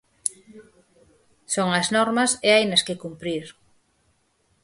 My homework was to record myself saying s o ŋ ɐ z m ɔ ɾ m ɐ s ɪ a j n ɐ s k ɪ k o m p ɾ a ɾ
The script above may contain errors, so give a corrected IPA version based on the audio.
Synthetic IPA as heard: s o ŋ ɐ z n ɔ ɾ m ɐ s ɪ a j n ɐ s k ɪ k u m p ɾ i ɾ